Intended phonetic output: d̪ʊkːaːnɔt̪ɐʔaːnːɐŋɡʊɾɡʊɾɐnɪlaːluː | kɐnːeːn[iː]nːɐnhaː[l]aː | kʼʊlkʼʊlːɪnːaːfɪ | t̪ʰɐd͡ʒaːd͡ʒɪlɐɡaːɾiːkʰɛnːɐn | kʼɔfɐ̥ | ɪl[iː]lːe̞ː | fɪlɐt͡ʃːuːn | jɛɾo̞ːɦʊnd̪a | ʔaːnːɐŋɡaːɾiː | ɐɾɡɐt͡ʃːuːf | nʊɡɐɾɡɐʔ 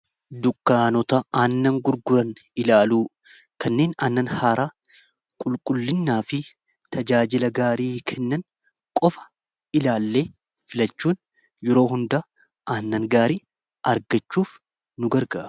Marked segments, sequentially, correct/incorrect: incorrect, incorrect, incorrect

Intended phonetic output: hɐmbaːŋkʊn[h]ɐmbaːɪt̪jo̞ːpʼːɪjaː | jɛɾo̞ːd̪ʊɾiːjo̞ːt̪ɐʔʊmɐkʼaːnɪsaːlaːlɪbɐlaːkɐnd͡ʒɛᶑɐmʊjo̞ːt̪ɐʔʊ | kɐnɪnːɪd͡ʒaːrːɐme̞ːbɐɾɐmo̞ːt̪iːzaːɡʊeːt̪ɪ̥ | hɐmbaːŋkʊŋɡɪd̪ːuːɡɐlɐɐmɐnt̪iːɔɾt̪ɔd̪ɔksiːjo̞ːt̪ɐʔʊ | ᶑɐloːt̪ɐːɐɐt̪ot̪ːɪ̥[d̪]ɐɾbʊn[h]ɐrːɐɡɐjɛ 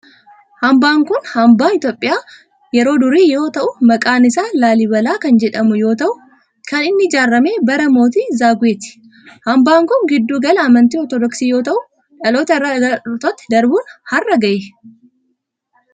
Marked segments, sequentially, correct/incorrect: correct, correct, correct

